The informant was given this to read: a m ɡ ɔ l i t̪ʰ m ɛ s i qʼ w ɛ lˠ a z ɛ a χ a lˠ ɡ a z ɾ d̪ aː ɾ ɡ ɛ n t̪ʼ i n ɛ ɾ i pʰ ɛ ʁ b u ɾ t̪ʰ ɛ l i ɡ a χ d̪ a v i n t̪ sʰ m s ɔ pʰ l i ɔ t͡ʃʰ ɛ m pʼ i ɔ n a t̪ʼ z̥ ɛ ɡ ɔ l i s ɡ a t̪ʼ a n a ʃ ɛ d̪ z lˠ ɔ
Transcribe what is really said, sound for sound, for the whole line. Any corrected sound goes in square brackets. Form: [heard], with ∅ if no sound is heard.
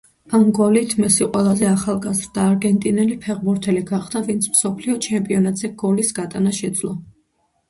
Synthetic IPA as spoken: a m ɡ ɔ l i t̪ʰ m ɛ s i qʼ w ɛ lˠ a z ɛ a χ a lˠ ɡ a z ɾ d̪ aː ɾ ɡ ɛ n t̪ʼ i n ɛ [l] i pʰ ɛ ʁ b u ɾ t̪ʰ ɛ l i ɡ a χ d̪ a v i n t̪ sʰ m s ɔ pʰ l i ɔ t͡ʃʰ ɛ m pʼ i ɔ n a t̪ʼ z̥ ɛ ɡ ɔ l i s ɡ a t̪ʼ a n a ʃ ɛ d̪ z lˠ ɔ